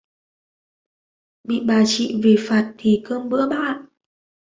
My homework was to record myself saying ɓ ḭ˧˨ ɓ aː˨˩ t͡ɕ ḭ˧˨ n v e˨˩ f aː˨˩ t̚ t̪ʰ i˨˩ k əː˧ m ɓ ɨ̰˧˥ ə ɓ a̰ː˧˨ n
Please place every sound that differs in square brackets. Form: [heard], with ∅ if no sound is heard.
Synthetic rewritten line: ɓ ḭ˧˨ ɓ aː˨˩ t͡ɕ ḭ˧˨ [∅] v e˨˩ f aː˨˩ t̚ t̪ʰ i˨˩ k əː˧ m ɓ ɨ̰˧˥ ə ɓ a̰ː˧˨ n